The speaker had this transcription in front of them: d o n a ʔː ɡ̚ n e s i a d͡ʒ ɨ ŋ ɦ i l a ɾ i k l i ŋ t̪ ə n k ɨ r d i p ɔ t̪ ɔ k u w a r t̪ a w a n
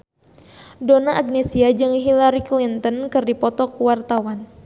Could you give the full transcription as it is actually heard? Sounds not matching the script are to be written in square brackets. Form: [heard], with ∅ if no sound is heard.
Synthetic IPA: d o n a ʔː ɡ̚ n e s i a d͡ʒ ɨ ŋ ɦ i l a ɾ i k l i [n] t̪ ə n k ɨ r d i p ɔ t̪ ɔ k u w a r t̪ a w a n

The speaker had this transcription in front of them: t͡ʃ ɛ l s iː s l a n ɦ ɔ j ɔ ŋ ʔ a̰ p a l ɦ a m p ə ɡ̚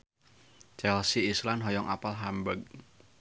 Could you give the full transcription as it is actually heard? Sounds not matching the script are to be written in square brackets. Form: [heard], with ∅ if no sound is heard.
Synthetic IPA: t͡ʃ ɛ l s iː s l a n ɦ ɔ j ɔ ŋ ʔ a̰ p a l ɦ a m [b] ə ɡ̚

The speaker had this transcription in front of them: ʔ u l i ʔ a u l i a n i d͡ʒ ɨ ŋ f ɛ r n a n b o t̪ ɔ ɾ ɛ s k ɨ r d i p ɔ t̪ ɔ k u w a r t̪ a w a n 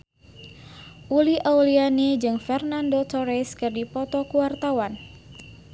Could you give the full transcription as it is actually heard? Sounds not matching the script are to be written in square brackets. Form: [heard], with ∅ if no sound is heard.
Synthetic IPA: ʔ u l i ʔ a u l i a n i d͡ʒ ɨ ŋ f ɛ r n a n [d] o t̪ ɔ ɾ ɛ s k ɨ r d i p ɔ t̪ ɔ k u w a r t̪ a w a n

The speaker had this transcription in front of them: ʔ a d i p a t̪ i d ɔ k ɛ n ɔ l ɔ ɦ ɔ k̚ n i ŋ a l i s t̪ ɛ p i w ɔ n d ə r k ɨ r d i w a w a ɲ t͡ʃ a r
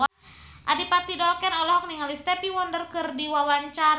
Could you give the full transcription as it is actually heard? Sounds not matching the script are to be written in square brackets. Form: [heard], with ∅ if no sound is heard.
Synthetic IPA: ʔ a d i p a t̪ i d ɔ k ɛ n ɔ l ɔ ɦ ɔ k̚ n i ŋ a l i s t̪ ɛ p i w ɔ n d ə r k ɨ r d i w a w a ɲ t͡ʃ a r

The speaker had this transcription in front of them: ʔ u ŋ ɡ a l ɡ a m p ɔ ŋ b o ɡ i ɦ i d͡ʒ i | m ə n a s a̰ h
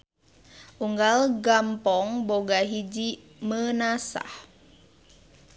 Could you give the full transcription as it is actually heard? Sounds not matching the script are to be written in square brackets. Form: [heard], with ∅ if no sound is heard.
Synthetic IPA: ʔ u ŋ ɡ a l ɡ a m p ɔ ŋ b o ɡ [a] ɦ i d͡ʒ i | m ə n a s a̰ h

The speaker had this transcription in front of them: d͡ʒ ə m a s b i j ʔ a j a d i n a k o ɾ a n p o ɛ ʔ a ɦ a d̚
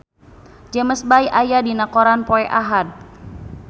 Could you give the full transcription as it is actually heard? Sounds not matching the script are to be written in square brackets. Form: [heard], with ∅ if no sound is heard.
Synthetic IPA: d͡ʒ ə m [ə] s b [a] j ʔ a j a d i n a k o ɾ a n p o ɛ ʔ a ɦ a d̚

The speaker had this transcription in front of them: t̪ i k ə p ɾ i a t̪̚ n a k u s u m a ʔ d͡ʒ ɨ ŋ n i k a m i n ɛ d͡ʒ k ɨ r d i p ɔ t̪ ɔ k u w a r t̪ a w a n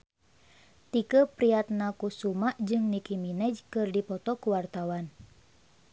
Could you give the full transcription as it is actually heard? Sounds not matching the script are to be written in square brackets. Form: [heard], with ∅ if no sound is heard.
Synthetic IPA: t̪ i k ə p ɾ i a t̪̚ n a k u s u m a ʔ d͡ʒ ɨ ŋ n i k [i] m i n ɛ d͡ʒ k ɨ r d i p ɔ t̪ ɔ k u w a r t̪ a w a n

